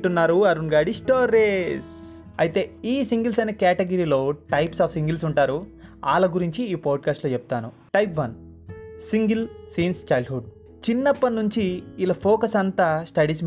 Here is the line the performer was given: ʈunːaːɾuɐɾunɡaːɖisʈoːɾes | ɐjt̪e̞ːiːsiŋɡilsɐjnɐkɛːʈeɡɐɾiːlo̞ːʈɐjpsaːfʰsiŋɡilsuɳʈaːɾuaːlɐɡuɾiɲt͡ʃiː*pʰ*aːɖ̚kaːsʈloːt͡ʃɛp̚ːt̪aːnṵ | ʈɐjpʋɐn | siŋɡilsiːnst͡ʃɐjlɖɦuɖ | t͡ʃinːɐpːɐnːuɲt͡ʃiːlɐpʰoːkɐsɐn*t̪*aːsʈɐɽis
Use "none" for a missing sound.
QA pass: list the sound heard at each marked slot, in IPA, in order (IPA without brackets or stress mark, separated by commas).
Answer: p, t̪